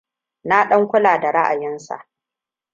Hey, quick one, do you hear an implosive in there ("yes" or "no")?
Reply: yes